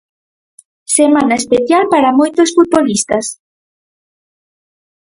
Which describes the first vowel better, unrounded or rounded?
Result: unrounded